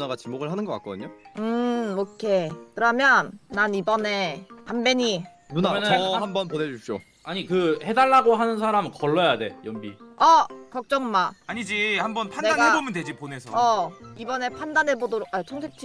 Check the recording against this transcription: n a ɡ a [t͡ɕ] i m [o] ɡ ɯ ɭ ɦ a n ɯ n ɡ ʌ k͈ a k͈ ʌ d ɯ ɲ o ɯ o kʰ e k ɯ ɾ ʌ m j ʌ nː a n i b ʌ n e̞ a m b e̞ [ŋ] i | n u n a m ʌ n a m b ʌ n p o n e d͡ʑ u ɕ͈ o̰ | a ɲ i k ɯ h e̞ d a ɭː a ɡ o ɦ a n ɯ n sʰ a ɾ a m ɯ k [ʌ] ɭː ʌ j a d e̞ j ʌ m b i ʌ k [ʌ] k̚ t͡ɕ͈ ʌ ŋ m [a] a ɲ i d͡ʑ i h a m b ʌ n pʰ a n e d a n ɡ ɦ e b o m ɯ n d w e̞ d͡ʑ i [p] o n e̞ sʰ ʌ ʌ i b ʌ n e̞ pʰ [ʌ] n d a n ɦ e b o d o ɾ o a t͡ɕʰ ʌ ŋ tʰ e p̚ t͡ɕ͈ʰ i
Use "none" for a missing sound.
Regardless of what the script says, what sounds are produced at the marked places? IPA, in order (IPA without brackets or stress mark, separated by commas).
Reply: t͡ɕ, o, ɲ, ʌ, ʌ, a, p, a